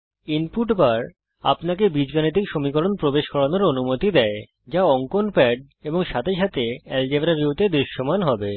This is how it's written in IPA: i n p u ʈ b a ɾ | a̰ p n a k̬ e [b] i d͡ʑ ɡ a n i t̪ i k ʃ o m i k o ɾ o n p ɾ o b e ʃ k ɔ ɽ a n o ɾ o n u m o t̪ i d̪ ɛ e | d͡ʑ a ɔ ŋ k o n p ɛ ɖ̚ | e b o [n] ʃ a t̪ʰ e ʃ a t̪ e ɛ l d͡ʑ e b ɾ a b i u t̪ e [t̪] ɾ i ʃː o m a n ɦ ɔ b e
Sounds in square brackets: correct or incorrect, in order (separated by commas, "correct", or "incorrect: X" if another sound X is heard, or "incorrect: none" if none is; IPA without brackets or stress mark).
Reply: correct, incorrect: ŋ, incorrect: d̪